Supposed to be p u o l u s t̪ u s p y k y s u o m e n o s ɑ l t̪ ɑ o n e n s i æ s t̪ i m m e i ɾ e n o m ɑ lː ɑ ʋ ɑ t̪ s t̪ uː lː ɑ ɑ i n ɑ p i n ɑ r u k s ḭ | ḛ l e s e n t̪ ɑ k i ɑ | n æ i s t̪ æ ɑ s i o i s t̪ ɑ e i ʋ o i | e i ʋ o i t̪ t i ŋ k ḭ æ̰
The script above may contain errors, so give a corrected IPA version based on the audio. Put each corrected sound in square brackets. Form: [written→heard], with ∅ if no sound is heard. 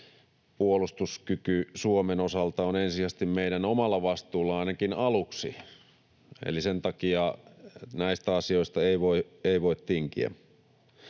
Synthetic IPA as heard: p u o l u s t̪ u s [p→k] y k y s u o m e n o s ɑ l t̪ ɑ o n e n s i æ s t̪ i m m e i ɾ [e→æ] n o m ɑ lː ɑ ʋ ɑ [t̪→∅] s t̪ uː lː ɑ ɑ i n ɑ [p→k] i n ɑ [r→l] u k s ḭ | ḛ l [e→i] s e n t̪ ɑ k i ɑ | n æ i s t̪ æ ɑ s i o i s t̪ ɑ e i ʋ o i | e i ʋ o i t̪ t i ŋ k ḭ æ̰

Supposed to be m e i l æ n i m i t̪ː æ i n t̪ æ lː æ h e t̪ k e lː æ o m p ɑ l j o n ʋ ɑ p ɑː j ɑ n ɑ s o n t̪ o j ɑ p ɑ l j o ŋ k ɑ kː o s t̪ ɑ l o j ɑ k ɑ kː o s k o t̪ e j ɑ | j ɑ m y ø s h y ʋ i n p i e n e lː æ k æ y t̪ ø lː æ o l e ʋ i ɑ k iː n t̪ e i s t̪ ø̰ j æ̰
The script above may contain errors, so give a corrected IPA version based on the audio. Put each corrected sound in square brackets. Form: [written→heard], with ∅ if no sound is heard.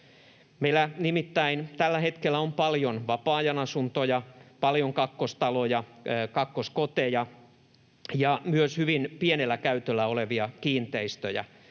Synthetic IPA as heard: m e i l æ n i m i t̪ː æ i n t̪ æ lː æ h e t̪ k e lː æ o m p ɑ l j o n ʋ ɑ p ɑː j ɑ n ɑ s [o→u] n t̪ o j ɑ p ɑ l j o ŋ k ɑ kː o s t̪ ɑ l o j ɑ k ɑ kː o s k o t̪ e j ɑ | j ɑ m y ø s h y ʋ i n p i e n e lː æ k æ y t̪ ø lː æ o l e ʋ i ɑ k iː n t̪ e i s t̪ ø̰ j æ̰

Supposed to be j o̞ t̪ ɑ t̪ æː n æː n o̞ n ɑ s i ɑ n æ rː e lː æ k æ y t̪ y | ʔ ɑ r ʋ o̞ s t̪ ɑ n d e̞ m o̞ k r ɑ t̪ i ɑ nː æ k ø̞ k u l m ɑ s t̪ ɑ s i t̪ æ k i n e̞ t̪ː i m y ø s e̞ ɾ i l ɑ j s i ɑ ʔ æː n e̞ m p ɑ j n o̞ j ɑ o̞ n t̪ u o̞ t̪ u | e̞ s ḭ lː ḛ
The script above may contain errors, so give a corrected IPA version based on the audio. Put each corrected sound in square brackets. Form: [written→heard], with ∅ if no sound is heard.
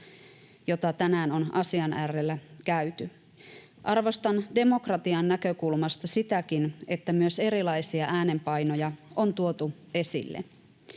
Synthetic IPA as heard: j o̞ t̪ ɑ t̪ [æː→æ] n æː n o̞ n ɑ s i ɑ n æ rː e lː æ k æ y t̪ y | ʔ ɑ r ʋ o̞ s t̪ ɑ n d e̞ m o̞ k r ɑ t̪ i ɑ nː æ k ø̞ k u l m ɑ s t̪ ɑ s i t̪ æ k i n e̞ t̪ː [i→æ] m y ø s e̞ ɾ i l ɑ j s i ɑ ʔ æː n e̞ m p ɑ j n o̞ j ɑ o̞ n t̪ u o̞ t̪ u | e̞ s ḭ lː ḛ

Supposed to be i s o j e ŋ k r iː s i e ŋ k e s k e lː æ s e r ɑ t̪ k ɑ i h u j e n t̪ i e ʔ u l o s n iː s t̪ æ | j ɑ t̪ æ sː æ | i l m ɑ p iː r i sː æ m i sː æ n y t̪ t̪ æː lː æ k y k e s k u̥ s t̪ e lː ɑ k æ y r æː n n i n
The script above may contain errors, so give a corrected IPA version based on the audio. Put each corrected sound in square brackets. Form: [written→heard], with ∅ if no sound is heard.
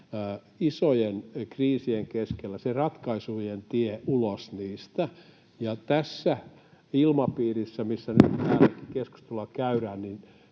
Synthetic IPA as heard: i s o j e [ŋ→n] k r iː s i e ŋ k e s k e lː æ s e r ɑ t̪ k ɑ i [h→s] u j e n t̪ i e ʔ u l o s n iː s t̪ æ | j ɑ t̪ æ sː æ | i l m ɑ p iː r i sː æ m i sː æ n y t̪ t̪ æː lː æ k [y→i] k e s k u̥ s t̪ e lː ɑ k æ y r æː n n i n

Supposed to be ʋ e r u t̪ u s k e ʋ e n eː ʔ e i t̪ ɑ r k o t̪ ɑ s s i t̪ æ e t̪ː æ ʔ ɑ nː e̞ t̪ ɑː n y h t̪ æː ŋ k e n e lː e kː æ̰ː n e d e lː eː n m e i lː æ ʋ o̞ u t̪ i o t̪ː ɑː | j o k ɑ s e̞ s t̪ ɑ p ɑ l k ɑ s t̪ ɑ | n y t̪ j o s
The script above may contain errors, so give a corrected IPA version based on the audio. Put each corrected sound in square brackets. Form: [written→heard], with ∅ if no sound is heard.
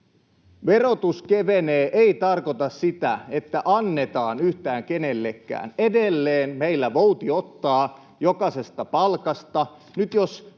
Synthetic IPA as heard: ʋ e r [u→o] t̪ u s k e ʋ e n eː ʔ e i t̪ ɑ r k o t̪ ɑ s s i t̪ æ e t̪ː æ ʔ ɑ nː e̞ t̪ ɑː n y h t̪ æː ŋ k e n e lː e kː æ̰ː n e d e lː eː n m e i lː æ ʋ o̞ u t̪ i o t̪ː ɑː | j o k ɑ s e̞ s t̪ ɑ p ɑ l k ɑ s t̪ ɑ | n y t̪ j o s

